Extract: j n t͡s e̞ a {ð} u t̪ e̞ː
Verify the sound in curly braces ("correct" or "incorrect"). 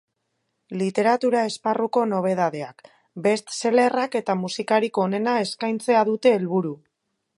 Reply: correct